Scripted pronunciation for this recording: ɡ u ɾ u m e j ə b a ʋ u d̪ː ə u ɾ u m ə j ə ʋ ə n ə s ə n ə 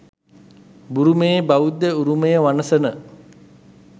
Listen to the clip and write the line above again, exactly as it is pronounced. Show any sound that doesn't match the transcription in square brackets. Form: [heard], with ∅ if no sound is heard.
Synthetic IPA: [b] u ɾ u m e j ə b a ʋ u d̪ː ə u ɾ u m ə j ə ʋ [a] n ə s ə n ə